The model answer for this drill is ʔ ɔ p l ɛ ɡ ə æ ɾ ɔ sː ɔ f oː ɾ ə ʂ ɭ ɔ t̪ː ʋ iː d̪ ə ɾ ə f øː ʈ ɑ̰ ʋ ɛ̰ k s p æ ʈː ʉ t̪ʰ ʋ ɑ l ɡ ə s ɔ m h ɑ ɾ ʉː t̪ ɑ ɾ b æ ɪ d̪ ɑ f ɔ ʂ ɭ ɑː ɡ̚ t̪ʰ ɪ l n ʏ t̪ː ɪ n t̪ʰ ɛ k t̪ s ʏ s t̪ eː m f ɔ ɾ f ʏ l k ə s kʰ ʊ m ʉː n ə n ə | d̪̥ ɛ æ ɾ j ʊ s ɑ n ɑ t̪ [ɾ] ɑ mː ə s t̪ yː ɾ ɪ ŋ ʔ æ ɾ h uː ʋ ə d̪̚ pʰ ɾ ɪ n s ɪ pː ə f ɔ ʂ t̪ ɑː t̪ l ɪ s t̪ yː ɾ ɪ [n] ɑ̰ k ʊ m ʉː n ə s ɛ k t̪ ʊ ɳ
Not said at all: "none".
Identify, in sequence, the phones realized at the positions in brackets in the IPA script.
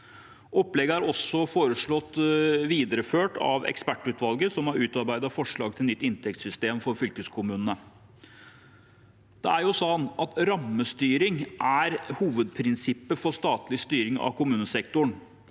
ɾ, ŋ

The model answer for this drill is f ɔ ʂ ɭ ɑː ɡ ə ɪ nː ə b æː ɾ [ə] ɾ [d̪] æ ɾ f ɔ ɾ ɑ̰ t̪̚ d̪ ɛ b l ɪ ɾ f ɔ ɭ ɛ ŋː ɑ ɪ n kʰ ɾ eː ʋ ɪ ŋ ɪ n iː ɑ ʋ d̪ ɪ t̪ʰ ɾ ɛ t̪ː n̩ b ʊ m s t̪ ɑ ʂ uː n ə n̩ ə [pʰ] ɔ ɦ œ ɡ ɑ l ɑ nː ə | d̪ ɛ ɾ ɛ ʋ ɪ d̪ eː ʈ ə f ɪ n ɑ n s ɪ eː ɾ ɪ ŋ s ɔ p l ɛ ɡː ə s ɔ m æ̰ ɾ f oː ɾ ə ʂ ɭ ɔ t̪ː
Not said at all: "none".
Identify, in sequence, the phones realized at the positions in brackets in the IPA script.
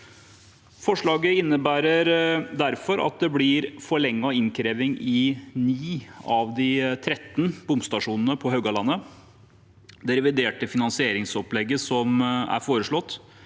ə, d̪, pʰ

